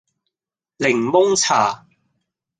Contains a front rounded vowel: no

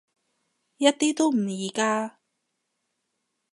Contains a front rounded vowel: no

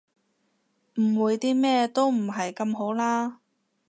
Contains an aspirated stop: no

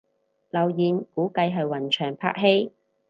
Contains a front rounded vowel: yes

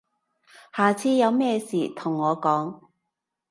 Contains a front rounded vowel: no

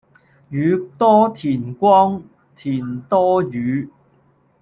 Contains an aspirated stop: yes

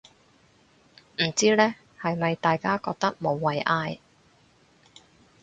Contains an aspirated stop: no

